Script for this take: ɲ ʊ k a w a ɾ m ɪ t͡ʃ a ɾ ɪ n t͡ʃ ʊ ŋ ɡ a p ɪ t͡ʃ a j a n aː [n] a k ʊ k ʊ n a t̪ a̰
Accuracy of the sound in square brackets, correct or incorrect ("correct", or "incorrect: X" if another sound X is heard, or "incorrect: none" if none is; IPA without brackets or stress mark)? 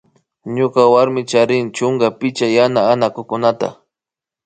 correct